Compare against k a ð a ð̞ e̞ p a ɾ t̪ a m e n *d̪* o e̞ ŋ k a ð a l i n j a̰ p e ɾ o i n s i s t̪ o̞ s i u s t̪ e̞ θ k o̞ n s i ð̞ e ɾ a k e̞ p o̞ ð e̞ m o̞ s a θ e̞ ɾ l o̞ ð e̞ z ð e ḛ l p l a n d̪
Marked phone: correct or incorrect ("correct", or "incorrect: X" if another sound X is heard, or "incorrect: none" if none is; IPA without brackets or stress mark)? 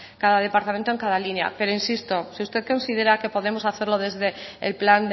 incorrect: t̪